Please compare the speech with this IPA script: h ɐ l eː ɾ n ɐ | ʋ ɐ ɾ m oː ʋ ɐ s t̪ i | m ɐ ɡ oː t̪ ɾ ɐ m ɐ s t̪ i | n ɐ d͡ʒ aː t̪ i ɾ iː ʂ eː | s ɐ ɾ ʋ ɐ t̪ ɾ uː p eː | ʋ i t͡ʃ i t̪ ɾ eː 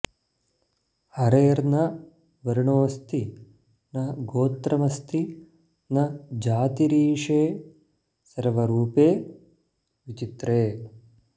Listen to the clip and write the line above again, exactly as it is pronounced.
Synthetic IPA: h ɐ ɾ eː ɾ n ɐ | ʋ ɐ ɾ ɳ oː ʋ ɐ s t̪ i | n ɐ ɡ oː t̪ ɾ ɐ m ɐ s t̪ i | n ɐ d͡ʒ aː t̪ i ɾ iː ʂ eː | s ɐ ɾ ʋ ɐ ɾ uː p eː | ʋ i t͡ʃ i t̪ ɾ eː

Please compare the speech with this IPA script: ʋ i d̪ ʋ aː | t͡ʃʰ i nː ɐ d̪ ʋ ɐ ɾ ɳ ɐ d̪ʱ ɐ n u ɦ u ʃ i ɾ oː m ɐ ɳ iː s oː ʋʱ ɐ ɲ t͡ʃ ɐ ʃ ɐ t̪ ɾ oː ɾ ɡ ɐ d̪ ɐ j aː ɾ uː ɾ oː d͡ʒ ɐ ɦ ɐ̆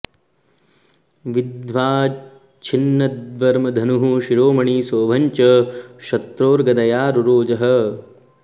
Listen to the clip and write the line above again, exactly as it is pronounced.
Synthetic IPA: ʋ i d̪ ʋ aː | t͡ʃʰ i nː ɐ d̪ ʋ ɐ ɾ m ɐ d̪ʱ ɐ n u ɦ u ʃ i ɾ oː m ɐ ɳ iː s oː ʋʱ ɐ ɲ t͡ʃ ɐ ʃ ɐ t̪ ɾ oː ɾ ɡ ɐ d̪ ɐ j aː ɾ u ɾ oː d͡ʒ ɐ ɦ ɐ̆

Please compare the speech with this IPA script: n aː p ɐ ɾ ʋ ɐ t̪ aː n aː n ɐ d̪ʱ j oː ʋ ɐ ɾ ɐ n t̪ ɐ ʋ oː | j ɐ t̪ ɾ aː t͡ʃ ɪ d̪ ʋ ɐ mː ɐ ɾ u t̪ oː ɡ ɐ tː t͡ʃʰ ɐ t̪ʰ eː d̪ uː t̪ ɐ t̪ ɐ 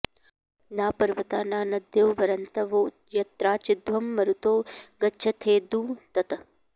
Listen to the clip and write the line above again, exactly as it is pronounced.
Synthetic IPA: n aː p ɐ ɾ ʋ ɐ t̪ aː n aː n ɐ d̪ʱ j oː ʋ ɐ ɾ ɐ n t̪ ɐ ʋ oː | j ɐ t̪ ɾ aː t͡ʃ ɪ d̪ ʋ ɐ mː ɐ ɾ u t̪ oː ɡ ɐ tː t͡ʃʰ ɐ t̪ʰ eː d̪ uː t̪ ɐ t̪ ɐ

